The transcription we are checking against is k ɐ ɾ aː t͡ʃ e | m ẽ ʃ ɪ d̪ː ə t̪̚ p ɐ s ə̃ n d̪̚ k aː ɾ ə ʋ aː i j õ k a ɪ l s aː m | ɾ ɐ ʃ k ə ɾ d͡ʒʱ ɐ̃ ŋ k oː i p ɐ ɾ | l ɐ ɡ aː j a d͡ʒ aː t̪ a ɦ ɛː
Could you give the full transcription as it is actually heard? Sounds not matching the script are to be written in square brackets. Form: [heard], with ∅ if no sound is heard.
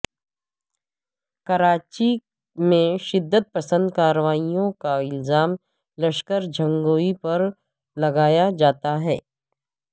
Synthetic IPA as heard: k ɐ ɾ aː t͡ʃ [i] | m ẽ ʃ ɪ d̪ː ə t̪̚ p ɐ s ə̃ n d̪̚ k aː ɾ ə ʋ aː i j õ k a ɪ l [z] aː m | [l] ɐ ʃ k ə ɾ d͡ʒʱ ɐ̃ ŋ [ɡ] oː i p ɐ ɾ | l ɐ ɡ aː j a d͡ʒ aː t̪ a ɦ ɛː